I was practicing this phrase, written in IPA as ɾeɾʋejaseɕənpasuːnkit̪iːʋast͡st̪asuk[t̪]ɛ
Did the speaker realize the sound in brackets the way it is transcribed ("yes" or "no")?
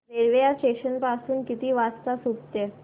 yes